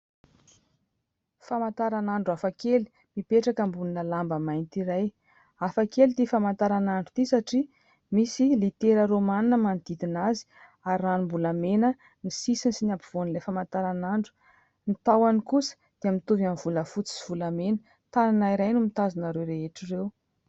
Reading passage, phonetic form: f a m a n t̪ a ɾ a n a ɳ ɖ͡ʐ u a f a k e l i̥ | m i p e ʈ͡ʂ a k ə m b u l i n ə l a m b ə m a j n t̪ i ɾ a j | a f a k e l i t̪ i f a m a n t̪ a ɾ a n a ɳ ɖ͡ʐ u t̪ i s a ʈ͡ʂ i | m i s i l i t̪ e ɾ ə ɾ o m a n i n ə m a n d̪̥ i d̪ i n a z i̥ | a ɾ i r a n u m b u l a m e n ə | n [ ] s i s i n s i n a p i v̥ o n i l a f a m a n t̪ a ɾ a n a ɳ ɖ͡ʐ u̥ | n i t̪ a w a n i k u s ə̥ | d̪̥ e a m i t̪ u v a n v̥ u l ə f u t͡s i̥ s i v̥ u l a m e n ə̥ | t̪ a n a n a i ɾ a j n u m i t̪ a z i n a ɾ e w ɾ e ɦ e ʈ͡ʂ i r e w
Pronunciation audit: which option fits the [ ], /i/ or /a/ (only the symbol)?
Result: i